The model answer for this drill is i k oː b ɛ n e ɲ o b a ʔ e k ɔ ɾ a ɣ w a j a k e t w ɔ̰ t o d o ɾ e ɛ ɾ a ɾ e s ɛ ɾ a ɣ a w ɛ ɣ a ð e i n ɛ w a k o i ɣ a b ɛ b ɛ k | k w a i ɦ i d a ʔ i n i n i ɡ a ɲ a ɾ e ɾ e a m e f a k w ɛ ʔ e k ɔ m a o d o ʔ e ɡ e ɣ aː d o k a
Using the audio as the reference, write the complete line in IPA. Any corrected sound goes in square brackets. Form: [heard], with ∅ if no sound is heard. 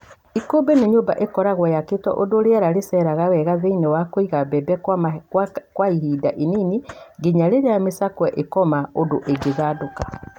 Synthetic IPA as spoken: i k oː b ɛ n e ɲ o b a ʔ e k ɔ ɾ a ɣ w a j a k e t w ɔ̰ [ʔ] o d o ɾ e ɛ ɾ a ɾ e s ɛ ɾ a ɣ a w ɛ ɣ a ð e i n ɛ w a k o i ɣ a b ɛ b ɛ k | k w a i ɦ i d a ʔ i n i n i ɡ [e] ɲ a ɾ e ɾ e a m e [s] a k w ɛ ʔ e k ɔ m a o d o ʔ e ɡ e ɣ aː d o k a